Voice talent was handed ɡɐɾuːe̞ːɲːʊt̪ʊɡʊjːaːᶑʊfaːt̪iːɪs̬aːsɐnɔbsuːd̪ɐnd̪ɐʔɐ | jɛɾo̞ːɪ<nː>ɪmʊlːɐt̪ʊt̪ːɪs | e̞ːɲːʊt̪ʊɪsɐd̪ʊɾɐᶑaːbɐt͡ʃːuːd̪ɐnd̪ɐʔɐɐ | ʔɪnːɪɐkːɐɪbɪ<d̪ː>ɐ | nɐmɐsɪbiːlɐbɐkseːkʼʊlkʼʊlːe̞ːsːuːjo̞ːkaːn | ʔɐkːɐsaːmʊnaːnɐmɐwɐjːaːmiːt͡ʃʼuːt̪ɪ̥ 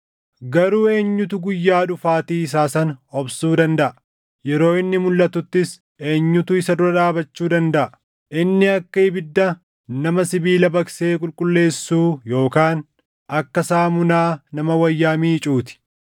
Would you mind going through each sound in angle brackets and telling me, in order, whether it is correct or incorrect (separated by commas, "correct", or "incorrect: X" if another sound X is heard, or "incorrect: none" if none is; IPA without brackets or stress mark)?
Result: correct, correct